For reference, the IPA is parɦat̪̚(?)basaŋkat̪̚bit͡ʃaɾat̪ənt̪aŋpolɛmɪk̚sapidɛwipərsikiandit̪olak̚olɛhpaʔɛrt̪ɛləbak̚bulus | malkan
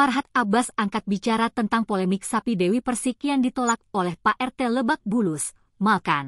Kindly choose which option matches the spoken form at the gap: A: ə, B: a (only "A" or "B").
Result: B